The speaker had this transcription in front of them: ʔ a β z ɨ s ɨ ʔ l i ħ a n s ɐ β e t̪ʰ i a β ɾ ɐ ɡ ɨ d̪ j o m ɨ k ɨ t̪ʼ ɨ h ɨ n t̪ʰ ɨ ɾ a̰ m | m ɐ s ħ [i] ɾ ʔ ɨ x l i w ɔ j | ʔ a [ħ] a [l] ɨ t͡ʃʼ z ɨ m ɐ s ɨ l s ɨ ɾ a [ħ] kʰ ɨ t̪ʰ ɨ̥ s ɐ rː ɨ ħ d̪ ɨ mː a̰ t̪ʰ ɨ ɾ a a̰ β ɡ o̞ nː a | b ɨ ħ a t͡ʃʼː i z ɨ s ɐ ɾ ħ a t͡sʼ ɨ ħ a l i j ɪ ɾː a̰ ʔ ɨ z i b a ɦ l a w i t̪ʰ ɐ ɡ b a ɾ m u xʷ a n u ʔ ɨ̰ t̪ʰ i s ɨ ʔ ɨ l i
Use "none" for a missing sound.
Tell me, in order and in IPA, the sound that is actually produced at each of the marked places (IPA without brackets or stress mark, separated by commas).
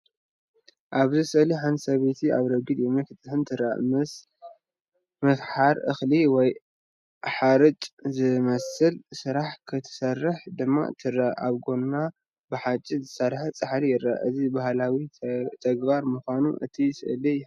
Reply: a, ħ, ɾ, ħ